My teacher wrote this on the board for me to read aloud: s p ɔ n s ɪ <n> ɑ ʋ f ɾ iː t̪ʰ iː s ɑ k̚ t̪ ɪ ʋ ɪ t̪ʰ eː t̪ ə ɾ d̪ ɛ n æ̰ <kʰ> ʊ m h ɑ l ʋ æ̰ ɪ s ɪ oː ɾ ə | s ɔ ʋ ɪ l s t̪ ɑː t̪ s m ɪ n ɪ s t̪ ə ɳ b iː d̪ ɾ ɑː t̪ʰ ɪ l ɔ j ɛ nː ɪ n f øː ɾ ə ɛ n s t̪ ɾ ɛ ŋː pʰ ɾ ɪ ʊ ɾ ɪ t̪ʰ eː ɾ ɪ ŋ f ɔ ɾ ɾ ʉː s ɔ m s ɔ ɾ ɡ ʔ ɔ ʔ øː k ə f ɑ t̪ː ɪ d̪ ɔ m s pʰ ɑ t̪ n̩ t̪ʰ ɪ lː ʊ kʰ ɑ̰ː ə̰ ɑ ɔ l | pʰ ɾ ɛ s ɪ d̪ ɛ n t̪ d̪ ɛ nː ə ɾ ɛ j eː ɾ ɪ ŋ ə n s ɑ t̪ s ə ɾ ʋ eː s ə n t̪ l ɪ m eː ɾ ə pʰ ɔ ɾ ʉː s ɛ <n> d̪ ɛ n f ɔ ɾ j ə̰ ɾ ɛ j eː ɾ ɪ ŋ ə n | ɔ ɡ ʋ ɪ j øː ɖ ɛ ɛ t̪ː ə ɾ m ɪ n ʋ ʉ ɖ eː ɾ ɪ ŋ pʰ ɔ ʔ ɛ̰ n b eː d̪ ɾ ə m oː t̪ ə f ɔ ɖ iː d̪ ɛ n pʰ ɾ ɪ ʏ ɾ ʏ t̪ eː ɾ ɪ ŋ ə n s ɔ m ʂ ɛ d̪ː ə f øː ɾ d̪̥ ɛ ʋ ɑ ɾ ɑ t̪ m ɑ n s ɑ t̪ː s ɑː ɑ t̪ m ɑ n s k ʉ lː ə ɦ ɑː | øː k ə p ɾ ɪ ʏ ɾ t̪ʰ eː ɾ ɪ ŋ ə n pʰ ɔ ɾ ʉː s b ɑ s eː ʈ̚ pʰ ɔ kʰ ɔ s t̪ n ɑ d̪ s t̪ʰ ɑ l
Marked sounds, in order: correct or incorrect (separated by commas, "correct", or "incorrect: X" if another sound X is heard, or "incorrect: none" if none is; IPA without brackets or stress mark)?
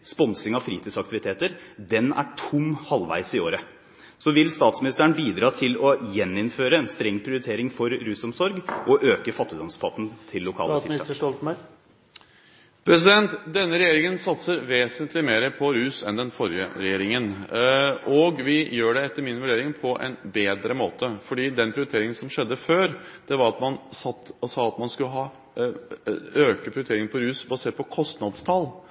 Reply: incorrect: ŋ, incorrect: ʈʰ, correct